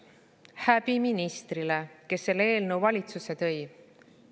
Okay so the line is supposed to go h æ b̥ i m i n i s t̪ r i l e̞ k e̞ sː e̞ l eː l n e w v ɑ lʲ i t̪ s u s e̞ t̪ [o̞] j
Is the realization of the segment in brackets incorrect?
yes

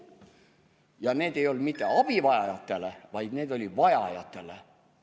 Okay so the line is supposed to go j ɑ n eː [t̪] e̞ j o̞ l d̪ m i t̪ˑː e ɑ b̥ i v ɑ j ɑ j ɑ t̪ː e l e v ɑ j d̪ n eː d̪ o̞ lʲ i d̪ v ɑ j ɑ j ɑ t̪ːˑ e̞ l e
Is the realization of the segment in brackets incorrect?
yes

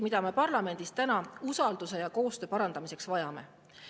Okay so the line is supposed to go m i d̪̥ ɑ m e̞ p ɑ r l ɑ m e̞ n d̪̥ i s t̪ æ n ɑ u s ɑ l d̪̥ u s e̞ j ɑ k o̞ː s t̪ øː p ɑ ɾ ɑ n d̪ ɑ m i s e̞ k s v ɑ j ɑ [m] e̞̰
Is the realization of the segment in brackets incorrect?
no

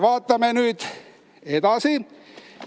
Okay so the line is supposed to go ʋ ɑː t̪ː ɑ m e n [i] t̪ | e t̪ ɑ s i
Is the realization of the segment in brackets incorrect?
yes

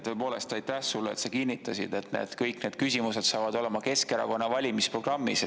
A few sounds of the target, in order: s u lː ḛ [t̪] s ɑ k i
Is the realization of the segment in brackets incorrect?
no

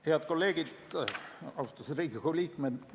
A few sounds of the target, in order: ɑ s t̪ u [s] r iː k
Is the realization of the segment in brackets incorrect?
no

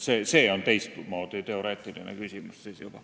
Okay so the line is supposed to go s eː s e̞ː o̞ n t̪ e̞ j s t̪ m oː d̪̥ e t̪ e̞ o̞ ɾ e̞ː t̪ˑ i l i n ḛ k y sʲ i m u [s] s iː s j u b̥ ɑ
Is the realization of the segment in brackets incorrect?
no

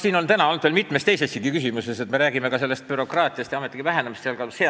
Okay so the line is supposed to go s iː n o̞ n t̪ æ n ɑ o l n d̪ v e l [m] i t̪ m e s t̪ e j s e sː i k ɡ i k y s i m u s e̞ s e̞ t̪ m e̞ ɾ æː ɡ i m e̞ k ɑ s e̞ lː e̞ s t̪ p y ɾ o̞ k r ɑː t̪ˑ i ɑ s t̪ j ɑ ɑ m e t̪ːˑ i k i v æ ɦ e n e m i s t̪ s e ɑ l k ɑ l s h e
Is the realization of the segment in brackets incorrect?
no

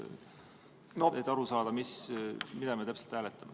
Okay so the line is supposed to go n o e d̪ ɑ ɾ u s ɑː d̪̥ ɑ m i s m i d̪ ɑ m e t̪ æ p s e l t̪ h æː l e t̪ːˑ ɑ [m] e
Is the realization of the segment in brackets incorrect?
no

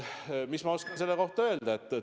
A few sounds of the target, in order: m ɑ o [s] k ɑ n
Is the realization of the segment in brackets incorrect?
no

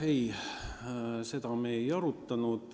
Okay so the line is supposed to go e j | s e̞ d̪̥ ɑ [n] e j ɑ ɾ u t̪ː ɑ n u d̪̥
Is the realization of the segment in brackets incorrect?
yes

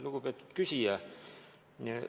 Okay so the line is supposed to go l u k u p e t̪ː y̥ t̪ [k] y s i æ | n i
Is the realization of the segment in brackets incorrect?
no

